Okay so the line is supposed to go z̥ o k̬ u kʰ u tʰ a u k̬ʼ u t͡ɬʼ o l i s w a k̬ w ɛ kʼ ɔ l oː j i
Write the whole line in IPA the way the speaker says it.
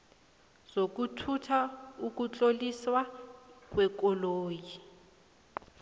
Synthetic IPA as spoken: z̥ o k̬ u tʰ u tʰ a u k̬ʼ u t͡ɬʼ o l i s w a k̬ w ɛ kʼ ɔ l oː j i

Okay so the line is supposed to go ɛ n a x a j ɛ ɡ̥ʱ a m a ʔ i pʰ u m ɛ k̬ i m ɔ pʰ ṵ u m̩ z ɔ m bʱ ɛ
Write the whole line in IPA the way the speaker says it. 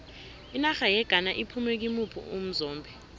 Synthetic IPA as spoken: i n a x a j ɛ ɡ̥ʱ a n a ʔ i pʰ u m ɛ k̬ i m u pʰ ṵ u m̩ z ɔː m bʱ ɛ

